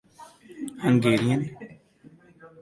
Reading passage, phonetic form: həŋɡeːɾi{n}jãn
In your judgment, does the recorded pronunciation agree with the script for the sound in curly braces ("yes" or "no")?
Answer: no